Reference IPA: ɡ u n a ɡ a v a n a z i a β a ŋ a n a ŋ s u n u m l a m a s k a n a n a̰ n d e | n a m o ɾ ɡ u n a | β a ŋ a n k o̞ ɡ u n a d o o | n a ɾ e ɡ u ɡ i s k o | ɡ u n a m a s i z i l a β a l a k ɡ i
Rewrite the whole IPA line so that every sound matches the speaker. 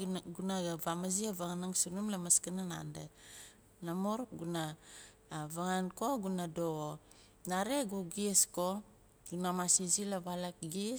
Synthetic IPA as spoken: ɡ u n a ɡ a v a m a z i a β a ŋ a n a ŋ s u n u m l a m a s k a n a n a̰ n d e | n a m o ɾ ɡ u n a | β a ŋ a n k o̞ ɡ u n a d o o | n a ɾ e ɡ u ɡ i s k o | ɡ u n a m a s i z i l a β a l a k ɡ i